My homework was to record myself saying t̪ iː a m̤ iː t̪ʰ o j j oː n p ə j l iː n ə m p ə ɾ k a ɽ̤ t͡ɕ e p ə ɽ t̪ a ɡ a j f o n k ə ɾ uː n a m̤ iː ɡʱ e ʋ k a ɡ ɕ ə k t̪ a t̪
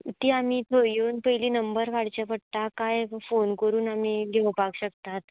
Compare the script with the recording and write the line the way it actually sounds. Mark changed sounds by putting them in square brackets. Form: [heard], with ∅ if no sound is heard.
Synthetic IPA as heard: t̪ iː a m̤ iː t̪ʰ o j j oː n p ə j l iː n ə m [b] ə ɾ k a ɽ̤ t͡ɕ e p ə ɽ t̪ a [k] a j f o n k ə ɾ uː n a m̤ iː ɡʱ e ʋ [p] a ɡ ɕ ə k t̪ a t̪